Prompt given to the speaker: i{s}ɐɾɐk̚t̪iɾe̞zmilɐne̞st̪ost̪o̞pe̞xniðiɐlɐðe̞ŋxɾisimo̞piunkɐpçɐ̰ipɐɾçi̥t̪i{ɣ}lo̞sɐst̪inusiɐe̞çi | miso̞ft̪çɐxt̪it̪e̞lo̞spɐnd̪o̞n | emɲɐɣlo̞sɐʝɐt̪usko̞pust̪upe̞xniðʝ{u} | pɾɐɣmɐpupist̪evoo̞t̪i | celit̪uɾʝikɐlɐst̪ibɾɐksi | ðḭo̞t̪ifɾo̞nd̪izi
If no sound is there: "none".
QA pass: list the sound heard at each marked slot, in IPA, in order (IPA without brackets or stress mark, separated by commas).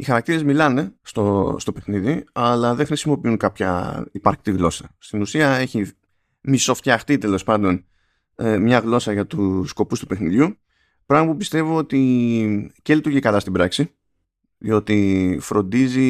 x, ɣ, u